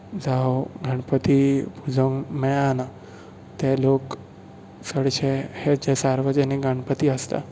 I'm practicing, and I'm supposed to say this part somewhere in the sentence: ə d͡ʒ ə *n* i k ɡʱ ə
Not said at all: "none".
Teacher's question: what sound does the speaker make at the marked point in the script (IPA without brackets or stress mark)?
n